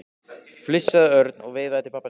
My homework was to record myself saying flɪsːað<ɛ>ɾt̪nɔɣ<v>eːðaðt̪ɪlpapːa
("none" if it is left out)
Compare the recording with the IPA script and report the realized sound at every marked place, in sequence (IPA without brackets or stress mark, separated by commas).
œ, v